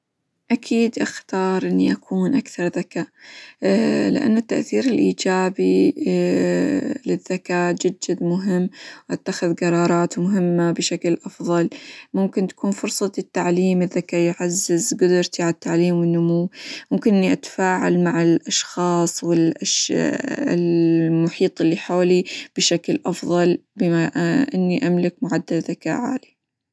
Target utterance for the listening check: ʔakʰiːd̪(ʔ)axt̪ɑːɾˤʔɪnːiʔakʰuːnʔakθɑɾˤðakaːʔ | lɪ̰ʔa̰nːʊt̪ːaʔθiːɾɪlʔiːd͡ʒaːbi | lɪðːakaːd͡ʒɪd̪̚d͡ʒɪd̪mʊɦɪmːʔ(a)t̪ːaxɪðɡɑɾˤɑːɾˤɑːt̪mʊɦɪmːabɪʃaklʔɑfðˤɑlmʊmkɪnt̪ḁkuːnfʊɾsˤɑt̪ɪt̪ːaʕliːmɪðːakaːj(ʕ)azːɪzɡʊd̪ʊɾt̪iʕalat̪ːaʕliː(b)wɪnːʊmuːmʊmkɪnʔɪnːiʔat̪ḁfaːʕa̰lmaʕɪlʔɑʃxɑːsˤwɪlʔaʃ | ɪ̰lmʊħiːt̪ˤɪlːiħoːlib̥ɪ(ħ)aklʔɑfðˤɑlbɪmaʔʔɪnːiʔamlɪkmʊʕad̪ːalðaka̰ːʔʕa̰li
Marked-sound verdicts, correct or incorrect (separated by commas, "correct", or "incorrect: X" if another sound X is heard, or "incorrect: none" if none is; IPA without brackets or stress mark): correct, correct, correct, incorrect: m, incorrect: ʃ